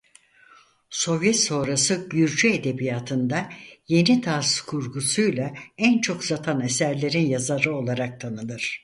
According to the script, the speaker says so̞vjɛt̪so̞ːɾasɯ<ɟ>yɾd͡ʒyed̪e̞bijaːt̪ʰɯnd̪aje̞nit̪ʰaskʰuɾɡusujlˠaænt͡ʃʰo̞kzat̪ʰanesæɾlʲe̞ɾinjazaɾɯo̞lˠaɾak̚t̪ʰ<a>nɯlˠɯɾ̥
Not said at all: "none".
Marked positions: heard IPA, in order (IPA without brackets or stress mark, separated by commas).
ɟ, a